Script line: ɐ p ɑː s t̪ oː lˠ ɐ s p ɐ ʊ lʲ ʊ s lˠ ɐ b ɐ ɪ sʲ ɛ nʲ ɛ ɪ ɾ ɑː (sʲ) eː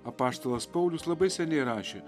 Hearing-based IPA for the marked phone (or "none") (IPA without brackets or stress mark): ʃʲ